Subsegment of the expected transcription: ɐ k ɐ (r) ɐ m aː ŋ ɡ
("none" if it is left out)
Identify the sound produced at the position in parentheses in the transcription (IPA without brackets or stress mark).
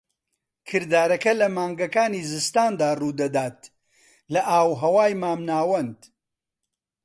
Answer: l